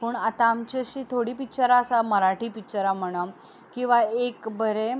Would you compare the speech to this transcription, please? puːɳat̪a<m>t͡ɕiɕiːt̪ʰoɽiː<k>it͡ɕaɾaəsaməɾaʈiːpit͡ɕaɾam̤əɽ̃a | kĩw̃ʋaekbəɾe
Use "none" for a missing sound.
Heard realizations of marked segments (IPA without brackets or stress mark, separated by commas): m, p